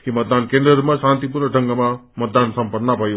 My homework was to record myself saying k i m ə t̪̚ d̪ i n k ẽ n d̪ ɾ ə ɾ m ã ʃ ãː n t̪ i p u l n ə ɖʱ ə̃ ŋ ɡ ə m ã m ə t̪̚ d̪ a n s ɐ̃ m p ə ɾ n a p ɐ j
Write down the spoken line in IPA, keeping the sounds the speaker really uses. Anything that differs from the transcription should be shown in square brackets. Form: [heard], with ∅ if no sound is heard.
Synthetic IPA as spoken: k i m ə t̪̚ d̪ [a] n k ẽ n d̪ ɾ ə ɾ m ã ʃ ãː n t̪ i p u [ɾ] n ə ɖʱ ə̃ ŋ ɡ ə m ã m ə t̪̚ d̪ a n s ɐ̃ m p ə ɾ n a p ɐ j